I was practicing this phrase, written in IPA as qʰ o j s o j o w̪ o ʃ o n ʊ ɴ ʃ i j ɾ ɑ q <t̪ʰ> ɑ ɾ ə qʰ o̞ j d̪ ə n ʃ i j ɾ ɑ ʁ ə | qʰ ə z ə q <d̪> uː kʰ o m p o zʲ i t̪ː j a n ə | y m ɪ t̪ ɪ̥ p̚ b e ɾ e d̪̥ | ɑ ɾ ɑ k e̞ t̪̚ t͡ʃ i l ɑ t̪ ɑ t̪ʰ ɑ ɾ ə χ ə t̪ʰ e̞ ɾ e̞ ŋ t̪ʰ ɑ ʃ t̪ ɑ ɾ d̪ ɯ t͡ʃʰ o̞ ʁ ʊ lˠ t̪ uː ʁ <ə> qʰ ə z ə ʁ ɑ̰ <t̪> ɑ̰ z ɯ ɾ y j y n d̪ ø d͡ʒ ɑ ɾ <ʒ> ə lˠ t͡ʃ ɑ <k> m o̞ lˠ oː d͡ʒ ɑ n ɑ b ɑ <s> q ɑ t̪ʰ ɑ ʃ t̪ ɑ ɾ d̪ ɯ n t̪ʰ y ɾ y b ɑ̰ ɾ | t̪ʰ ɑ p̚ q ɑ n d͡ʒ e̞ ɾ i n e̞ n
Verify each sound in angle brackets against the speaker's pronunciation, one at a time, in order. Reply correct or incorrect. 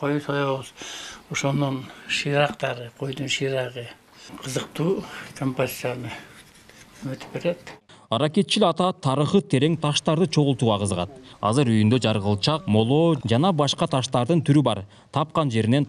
incorrect, incorrect, incorrect, correct, incorrect, incorrect, incorrect

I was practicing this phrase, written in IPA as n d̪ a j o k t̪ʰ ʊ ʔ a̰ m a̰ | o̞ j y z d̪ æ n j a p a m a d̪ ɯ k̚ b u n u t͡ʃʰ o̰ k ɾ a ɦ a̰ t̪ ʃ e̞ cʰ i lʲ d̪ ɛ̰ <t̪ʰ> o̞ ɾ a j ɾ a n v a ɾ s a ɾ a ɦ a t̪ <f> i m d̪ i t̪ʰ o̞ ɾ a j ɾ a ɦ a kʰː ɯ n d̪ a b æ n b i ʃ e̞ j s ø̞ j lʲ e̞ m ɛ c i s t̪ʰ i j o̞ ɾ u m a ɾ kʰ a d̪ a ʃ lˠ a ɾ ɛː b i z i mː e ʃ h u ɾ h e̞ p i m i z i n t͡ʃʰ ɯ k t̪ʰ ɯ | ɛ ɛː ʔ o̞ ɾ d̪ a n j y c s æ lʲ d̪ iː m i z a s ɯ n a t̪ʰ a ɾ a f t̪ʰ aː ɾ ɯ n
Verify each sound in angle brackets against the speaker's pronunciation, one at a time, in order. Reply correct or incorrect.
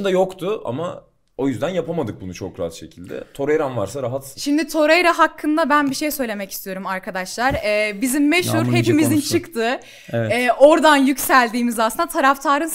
correct, incorrect

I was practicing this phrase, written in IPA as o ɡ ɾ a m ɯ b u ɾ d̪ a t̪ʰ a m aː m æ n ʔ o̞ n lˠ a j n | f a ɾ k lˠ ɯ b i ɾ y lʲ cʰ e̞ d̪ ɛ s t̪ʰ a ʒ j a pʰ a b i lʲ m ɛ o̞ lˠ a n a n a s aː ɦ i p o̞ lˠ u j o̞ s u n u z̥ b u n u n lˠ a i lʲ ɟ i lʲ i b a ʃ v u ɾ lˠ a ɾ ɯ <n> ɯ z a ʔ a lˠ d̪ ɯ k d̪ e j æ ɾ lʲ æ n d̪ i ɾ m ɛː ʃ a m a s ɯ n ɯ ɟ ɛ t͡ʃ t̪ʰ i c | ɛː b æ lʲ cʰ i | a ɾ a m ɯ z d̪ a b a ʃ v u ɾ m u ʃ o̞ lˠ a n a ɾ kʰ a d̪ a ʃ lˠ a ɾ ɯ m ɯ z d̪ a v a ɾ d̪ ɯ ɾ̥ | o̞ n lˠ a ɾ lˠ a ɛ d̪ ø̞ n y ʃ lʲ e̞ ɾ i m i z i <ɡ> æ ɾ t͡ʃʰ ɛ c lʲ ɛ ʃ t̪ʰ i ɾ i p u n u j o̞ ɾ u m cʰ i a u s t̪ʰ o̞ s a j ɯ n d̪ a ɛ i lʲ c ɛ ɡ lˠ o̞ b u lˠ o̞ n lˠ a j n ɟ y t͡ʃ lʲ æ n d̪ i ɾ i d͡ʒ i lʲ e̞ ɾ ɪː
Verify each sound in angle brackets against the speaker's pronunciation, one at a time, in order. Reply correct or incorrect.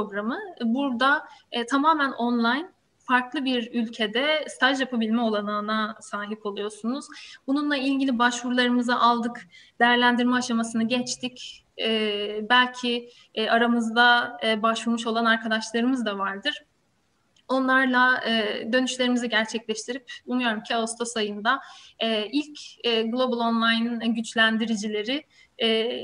incorrect, incorrect

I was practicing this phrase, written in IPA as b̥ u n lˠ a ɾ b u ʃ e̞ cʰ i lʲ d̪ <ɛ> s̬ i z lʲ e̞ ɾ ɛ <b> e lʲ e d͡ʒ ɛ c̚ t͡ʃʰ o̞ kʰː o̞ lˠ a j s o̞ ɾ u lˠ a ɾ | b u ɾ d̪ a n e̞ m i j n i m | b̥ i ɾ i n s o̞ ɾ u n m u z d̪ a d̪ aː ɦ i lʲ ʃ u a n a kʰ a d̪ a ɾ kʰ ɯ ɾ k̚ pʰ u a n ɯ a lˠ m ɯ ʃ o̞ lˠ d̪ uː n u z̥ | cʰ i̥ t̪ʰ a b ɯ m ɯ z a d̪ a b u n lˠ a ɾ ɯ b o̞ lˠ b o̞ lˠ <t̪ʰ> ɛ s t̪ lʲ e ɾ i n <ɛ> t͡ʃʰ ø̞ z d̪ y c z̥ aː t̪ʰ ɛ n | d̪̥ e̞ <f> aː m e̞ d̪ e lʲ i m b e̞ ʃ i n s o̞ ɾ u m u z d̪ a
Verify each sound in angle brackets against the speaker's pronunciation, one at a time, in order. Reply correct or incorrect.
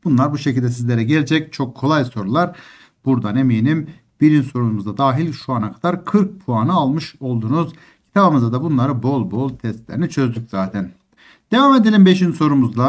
correct, incorrect, correct, incorrect, incorrect

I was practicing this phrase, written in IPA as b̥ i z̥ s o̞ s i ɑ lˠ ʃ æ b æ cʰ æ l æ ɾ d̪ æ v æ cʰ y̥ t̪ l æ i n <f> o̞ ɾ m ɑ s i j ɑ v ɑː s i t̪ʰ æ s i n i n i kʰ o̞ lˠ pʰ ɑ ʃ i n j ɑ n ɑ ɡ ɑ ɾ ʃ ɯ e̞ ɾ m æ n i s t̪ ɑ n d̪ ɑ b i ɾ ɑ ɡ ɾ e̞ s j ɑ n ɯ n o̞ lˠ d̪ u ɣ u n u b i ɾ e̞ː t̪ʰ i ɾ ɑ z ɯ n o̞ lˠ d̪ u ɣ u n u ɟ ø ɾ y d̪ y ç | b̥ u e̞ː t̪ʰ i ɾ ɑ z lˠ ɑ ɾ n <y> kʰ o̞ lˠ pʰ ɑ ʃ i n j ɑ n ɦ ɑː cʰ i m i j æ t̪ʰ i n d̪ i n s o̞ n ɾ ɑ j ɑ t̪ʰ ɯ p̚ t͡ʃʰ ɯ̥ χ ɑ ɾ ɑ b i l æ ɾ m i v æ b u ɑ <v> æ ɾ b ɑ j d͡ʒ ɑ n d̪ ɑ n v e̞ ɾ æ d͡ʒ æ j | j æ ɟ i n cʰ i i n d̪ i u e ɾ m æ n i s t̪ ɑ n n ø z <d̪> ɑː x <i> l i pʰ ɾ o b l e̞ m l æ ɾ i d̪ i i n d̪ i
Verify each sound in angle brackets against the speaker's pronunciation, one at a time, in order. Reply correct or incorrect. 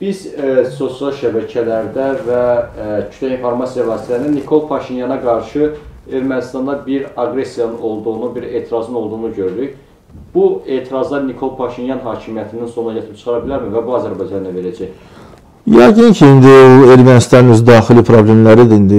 correct, incorrect, incorrect, correct, correct

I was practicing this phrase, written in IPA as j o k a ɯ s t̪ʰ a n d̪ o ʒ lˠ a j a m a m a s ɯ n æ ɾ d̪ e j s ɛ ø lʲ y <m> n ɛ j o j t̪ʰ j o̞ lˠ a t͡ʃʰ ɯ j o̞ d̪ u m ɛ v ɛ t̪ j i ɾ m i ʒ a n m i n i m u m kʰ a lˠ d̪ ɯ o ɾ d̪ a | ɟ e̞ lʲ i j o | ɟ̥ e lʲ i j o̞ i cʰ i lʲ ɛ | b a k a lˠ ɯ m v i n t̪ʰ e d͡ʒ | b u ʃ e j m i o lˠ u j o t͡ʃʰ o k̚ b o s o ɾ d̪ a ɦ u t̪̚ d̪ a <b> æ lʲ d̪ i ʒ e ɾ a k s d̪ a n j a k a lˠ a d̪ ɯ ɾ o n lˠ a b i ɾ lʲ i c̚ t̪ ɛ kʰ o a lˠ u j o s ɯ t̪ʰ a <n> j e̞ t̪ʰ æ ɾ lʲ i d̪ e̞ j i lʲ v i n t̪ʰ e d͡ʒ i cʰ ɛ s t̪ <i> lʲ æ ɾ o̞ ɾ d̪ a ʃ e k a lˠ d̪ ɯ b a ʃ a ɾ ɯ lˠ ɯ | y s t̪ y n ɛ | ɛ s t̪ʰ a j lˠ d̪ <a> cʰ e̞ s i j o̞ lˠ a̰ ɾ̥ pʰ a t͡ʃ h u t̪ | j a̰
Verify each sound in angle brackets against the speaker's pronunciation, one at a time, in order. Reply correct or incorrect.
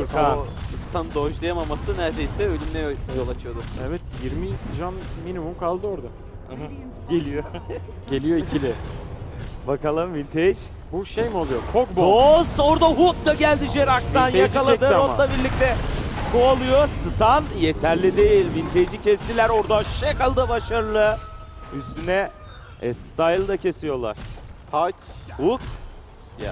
correct, incorrect, correct, correct, correct

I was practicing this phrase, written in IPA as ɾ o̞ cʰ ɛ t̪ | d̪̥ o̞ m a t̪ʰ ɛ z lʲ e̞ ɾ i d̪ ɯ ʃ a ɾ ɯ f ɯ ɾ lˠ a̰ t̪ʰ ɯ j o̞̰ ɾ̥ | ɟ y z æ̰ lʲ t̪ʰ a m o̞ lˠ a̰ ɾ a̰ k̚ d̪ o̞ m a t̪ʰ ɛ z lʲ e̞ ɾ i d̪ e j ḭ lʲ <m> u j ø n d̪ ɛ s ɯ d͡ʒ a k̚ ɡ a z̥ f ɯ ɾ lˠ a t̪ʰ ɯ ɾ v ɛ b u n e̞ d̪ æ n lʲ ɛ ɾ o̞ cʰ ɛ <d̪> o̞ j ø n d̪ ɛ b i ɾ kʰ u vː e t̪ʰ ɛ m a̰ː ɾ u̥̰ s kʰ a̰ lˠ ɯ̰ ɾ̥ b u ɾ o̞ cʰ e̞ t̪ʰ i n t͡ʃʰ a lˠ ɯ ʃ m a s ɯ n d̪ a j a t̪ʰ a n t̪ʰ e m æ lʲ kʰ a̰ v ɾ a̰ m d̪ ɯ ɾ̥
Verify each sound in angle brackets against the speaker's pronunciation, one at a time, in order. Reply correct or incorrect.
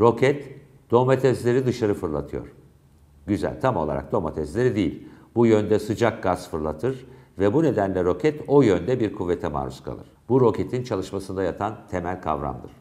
incorrect, incorrect

